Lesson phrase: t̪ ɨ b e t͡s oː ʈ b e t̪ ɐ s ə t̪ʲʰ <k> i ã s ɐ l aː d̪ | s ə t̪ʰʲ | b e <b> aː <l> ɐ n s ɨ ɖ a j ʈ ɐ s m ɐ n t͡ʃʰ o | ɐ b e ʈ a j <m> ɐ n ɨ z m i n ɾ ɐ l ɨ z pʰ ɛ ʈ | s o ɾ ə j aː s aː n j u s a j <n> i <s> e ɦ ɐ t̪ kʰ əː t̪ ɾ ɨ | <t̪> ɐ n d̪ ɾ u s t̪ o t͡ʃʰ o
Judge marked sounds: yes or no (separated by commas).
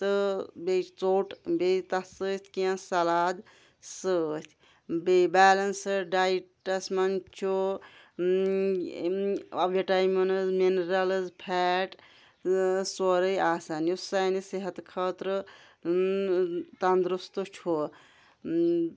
yes, yes, yes, yes, yes, yes, yes